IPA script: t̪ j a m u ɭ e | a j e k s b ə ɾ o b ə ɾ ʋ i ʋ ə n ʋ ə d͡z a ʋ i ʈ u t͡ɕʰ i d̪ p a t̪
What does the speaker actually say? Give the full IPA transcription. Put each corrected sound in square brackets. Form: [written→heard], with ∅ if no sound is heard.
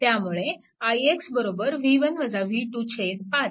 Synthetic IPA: t̪ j a m u ɭ e | a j e k s b ə ɾ o b ə ɾ ʋ i ʋ ə n ʋ ə d͡z a ʋ i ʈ u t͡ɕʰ [i→e] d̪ p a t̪